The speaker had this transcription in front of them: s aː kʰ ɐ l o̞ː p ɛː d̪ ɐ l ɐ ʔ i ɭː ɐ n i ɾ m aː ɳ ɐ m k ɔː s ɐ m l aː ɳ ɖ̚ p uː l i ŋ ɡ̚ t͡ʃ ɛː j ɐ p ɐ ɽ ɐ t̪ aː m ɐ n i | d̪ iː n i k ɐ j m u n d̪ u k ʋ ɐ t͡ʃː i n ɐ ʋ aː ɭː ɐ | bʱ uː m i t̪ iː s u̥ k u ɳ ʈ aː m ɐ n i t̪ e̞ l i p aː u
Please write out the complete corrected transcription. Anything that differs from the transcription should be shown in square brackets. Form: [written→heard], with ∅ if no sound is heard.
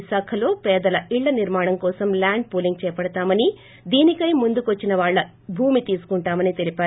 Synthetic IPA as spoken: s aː kʰ ɐ l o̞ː p ɛː d̪ ɐ l ɐ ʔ i ɭː ɐ n i ɾ m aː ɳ ɐ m k ɔː s ɐ m l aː ɳ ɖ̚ p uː l i ŋ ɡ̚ t͡ʃ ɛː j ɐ p ɐ ɽ ɐ t̪ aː m ɐ n i | d̪ iː n i k ɐ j m u n d̪ u k ʋ ɐ t͡ʃː i n ɐ ʋ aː ɭː ɐ | bʱ uː m i t̪ iː s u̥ k u ɳ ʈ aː m ɐ n i t̪ e̞ l i p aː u